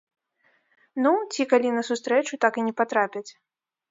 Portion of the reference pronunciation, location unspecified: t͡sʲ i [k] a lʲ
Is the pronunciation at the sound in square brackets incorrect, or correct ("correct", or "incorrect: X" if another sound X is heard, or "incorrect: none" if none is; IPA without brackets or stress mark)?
correct